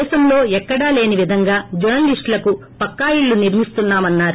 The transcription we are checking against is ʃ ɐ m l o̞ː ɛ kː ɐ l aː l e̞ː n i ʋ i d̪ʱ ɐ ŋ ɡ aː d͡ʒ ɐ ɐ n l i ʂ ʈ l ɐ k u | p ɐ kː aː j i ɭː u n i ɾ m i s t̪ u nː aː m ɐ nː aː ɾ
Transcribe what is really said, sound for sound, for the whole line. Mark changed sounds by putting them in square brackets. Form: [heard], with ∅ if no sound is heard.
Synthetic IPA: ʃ ɐ m l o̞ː ɛ kː ɐ [ɽ] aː l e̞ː n i ʋ i d̪ʱ ɐ ŋ ɡ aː d͡ʒ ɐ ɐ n l i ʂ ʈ l ɐ k u | p ɐ kː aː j i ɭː u n i ɾ m i s t̪ u nː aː m ɐ nː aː ɾ